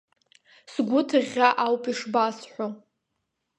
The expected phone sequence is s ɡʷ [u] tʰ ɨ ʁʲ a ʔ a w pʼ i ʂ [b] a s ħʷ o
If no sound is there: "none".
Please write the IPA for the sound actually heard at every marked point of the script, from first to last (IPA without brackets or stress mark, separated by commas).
ʊ, b